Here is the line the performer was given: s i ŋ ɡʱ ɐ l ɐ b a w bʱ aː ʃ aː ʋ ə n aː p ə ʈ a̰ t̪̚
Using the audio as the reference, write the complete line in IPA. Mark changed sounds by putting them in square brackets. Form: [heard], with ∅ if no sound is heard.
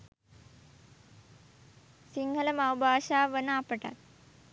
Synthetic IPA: s i ŋ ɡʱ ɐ l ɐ [m] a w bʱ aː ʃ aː ʋ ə n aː p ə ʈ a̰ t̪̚

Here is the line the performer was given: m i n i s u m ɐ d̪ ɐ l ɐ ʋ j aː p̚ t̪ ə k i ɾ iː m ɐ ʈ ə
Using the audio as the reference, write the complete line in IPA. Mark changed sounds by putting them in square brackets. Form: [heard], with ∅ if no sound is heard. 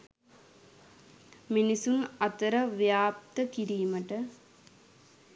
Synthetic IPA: m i n i s u [n] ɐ [t̪] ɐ [ɾ] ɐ ʋ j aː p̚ t̪ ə k i ɾ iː m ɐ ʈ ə

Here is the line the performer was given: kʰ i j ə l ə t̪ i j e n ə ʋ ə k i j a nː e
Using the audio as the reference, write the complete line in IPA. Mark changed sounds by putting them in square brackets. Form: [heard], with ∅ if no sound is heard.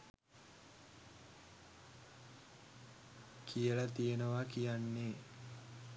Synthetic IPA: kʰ i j ə l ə t̪ i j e n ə ʋ [a] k i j a nː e

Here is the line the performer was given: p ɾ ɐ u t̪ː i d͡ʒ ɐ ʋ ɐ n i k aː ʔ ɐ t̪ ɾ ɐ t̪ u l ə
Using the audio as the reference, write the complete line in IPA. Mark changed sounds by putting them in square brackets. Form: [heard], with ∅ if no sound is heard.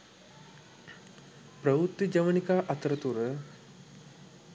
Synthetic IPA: p ɾ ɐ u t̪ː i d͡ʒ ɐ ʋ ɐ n i k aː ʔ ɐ t̪ ɾ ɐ t̪ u [ɾ] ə

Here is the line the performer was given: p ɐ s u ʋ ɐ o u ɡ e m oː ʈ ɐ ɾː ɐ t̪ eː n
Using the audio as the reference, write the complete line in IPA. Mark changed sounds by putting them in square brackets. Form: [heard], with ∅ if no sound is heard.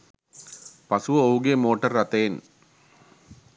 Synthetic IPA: p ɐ s u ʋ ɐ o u ɡ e m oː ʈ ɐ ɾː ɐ t̪ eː n

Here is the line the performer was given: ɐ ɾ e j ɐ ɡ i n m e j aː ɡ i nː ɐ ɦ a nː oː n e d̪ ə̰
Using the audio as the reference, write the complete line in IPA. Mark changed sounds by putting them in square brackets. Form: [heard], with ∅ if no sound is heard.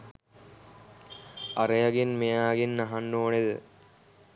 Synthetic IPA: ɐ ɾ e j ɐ ɡ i n m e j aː ɡ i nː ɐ ɦ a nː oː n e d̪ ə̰

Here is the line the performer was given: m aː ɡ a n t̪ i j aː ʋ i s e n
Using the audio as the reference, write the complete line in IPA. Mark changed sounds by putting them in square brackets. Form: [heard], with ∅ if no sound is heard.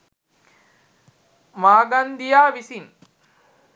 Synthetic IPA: m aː ɡ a n [d̪] i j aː ʋ i s [i] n

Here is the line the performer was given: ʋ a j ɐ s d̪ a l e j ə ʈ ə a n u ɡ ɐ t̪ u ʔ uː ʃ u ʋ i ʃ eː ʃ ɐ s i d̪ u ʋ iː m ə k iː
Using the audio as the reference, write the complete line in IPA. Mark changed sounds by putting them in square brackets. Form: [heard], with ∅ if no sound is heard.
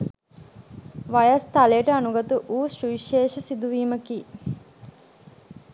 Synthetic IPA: ʋ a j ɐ s [t̪] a l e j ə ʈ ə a n u ɡ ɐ t̪ u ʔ uː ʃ u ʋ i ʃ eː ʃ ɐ s i d̪ u ʋ iː m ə k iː

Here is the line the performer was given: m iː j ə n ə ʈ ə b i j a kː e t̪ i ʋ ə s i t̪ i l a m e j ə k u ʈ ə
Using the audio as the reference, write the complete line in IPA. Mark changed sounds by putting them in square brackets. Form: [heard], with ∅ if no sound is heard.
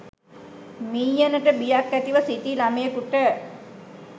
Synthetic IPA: m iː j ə n ə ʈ ə b i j a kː [æ] t̪ i ʋ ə s i t̪ i l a m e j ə k u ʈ ə

